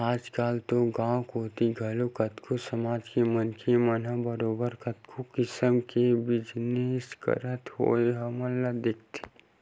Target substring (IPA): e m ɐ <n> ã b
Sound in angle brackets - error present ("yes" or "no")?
no